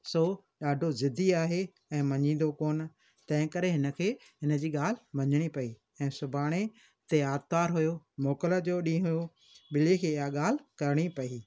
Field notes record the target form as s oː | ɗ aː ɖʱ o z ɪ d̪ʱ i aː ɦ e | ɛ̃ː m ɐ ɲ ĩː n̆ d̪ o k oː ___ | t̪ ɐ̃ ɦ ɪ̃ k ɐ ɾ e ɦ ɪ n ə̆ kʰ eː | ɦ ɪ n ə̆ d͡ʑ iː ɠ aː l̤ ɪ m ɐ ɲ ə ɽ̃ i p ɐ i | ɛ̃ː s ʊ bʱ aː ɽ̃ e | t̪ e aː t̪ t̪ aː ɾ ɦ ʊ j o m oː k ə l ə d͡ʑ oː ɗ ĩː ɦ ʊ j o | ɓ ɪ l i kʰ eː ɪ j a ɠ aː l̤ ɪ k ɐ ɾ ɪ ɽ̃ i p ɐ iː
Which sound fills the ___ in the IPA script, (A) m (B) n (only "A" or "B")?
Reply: B